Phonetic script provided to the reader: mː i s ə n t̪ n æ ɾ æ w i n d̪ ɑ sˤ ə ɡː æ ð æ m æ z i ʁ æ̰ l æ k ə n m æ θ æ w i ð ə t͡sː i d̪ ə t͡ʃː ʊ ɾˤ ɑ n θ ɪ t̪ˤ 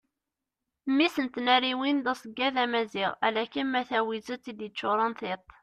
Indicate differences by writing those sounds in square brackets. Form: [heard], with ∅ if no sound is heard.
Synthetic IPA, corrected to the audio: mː i s ə n t̪ n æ ɾ [i] w i n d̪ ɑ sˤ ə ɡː æ ð æ m æ z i ʁ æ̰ l æ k ə n m æ θ æ w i [z] ə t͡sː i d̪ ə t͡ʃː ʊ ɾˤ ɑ n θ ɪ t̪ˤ